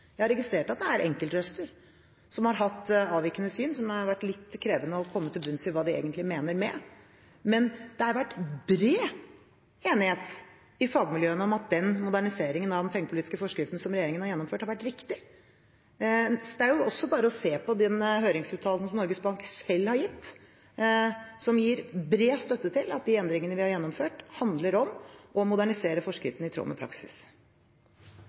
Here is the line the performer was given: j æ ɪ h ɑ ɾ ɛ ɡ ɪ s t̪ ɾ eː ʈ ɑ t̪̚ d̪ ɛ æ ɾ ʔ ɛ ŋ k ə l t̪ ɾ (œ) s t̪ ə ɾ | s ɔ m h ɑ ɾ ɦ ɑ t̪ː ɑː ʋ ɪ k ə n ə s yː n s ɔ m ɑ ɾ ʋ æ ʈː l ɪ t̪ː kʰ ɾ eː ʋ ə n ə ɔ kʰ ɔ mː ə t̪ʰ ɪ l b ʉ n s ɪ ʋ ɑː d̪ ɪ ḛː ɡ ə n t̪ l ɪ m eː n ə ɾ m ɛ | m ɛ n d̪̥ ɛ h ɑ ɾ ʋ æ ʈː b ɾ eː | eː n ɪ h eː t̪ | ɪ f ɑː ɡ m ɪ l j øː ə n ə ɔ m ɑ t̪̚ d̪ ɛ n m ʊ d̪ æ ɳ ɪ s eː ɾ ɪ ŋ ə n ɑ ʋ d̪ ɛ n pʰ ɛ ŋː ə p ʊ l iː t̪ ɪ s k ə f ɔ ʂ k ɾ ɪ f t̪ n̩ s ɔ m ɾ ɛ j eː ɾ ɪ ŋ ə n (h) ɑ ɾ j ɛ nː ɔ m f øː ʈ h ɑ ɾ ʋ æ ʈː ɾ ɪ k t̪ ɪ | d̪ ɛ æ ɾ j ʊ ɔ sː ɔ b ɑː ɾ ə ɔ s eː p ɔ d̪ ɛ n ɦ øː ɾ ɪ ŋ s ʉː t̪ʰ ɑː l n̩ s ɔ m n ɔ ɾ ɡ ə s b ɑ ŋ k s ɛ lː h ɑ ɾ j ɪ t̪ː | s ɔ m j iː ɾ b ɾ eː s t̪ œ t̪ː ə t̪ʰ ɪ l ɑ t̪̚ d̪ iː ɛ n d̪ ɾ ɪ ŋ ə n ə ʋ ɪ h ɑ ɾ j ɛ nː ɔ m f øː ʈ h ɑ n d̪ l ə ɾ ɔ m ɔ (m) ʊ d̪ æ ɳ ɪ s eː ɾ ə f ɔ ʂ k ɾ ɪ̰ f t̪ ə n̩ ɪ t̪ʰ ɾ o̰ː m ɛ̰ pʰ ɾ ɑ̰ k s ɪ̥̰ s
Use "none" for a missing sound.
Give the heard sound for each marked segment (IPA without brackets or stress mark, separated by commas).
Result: œ, h, m